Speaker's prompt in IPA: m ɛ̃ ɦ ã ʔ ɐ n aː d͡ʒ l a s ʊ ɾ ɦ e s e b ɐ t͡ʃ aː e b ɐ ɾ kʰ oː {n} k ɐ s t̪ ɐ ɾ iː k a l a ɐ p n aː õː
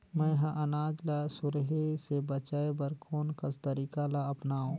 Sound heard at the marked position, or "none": n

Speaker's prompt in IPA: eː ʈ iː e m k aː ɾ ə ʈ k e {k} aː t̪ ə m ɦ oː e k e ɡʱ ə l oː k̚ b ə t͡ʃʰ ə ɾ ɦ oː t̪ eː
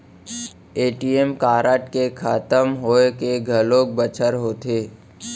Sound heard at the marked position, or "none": kʰ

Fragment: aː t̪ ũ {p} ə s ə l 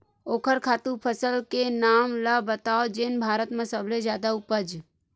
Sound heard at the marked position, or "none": pʰ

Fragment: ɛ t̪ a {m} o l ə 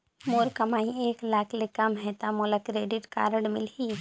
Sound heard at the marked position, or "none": m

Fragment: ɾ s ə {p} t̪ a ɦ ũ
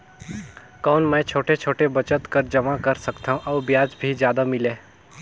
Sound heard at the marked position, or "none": k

